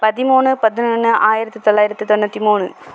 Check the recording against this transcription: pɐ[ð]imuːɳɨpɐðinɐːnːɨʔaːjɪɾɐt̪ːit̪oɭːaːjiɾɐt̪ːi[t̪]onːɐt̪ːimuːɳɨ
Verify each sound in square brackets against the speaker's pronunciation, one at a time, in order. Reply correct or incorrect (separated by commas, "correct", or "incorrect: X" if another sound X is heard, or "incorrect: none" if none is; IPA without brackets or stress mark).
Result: correct, correct